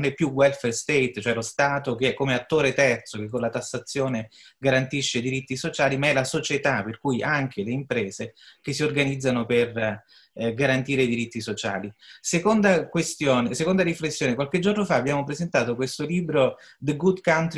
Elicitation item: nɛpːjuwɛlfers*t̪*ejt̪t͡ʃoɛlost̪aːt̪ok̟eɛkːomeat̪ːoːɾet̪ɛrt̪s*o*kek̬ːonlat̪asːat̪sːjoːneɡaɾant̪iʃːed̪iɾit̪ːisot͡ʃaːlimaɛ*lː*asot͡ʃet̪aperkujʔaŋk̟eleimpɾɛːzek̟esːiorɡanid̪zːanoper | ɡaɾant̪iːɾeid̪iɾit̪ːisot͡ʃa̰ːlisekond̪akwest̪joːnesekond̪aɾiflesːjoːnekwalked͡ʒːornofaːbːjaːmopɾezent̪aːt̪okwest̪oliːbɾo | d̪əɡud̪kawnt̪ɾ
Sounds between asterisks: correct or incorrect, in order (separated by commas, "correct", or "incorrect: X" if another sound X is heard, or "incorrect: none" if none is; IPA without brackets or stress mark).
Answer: correct, correct, incorrect: l